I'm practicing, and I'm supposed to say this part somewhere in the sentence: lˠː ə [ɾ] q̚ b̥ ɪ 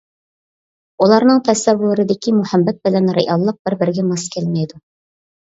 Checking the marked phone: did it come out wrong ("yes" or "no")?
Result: yes